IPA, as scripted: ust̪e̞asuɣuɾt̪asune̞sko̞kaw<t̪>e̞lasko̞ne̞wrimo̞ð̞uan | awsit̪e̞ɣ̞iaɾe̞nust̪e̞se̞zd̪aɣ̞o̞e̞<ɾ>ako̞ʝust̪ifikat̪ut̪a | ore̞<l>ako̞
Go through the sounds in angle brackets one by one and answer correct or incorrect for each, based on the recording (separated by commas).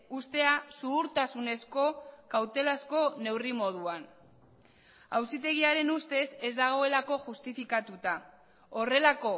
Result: correct, incorrect, correct